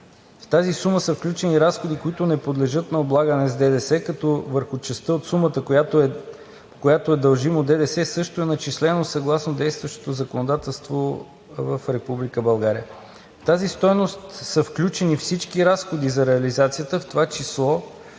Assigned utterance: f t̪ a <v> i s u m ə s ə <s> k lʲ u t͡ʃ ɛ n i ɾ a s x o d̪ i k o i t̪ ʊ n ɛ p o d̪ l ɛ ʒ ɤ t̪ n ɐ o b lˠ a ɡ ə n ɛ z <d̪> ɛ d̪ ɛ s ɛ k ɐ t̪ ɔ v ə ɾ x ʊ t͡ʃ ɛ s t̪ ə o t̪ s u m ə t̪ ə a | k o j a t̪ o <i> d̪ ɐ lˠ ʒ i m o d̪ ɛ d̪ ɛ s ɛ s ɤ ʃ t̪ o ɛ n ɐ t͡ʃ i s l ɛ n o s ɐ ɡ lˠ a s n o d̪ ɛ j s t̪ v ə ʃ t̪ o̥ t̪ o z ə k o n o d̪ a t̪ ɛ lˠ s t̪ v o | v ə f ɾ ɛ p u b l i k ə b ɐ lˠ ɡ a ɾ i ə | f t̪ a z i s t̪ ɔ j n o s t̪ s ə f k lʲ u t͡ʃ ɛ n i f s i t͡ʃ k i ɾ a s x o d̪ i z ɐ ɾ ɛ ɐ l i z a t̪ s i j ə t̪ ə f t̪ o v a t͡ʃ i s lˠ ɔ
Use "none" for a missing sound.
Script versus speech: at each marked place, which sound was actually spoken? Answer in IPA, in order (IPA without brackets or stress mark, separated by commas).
z, f, d̪, ɛ